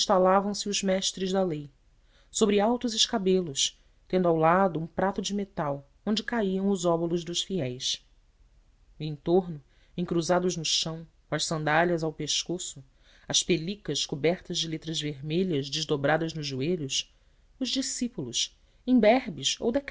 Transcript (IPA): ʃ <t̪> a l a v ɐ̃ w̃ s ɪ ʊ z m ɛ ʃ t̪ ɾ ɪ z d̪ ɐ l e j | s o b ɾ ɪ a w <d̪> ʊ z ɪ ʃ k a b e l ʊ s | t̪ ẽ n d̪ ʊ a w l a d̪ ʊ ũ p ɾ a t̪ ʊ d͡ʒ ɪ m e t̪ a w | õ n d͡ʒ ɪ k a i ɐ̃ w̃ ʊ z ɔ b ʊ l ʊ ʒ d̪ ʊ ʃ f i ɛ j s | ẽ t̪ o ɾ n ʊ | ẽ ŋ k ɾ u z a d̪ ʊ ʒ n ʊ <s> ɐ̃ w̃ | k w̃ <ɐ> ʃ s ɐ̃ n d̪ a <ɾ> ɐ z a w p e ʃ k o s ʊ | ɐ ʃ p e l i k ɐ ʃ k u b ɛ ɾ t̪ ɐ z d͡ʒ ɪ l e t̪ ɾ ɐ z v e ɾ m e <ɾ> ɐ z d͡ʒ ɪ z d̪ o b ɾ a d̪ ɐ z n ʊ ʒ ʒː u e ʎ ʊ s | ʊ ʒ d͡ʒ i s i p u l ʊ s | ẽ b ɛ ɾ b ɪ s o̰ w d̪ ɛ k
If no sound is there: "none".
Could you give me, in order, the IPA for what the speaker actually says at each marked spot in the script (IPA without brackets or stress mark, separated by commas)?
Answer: t̪, t̪, ʃ, ɐ, ʎ, ʎ